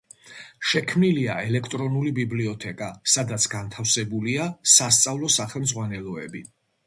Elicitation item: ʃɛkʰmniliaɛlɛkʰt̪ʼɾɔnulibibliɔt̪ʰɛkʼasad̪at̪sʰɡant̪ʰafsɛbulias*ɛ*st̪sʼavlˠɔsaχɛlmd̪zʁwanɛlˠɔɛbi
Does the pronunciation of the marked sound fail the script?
yes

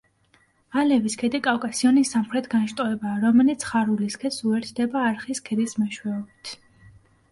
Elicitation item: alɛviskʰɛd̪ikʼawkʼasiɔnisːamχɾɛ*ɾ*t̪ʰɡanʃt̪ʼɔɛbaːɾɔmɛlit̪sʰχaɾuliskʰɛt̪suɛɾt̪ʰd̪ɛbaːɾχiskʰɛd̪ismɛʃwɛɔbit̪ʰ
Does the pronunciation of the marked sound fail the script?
yes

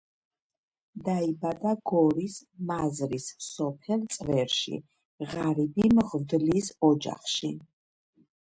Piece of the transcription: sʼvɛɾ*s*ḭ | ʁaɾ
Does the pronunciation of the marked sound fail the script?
yes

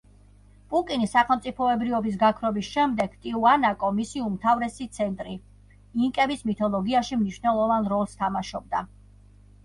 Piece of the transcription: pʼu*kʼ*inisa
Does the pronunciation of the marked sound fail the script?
no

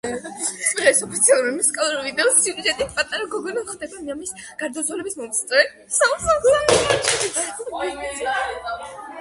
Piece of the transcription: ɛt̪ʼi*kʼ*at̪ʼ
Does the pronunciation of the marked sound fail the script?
yes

